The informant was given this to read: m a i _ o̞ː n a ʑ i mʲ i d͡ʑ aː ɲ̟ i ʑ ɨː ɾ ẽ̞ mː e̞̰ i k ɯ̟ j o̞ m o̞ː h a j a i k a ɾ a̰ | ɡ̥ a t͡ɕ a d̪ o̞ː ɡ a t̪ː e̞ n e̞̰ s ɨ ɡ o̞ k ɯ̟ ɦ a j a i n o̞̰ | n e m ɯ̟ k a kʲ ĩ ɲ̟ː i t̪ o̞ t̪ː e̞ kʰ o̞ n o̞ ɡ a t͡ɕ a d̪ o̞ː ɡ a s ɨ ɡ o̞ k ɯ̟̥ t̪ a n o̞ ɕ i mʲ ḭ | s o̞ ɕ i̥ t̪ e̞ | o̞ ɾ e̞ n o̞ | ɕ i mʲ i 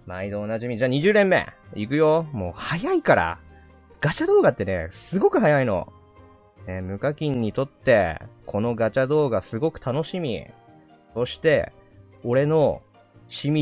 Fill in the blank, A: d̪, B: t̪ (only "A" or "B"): A